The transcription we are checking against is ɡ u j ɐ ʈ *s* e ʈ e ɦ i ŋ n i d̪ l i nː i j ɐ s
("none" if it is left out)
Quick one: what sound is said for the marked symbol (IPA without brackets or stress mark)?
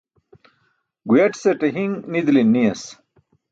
s